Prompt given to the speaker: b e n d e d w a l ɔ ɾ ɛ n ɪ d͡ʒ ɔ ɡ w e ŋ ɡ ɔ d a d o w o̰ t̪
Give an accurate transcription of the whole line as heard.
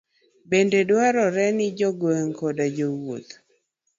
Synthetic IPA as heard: b e n d e d w a ɾ ɔ ɾ ɛ n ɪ d͡ʒ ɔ ɡ w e ŋ k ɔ d a d͡ʒ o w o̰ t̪